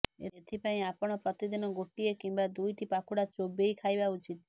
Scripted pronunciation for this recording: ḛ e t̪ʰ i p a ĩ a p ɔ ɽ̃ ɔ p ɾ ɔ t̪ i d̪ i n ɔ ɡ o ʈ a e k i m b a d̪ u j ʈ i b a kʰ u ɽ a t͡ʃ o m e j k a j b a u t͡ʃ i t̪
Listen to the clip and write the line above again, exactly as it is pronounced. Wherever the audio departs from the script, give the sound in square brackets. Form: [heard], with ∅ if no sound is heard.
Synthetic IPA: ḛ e t̪ʰ i p a ĩ a p ɔ ɽ̃ ɔ p ɾ ɔ t̪ i d̪ i n ɔ ɡ o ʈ [i] e k i m b a d̪ u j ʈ i [p] a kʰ u ɽ a t͡ʃ o [b] e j [kʰ] a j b a u t͡ʃ i t̪